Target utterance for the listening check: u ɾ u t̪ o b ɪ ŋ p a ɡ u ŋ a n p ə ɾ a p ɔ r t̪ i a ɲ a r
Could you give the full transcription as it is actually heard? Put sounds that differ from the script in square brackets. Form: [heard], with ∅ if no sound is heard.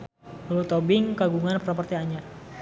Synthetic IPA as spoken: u [l] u t̪ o b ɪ ŋ [k] a ɡ u ŋ a n p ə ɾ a p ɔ r t̪ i a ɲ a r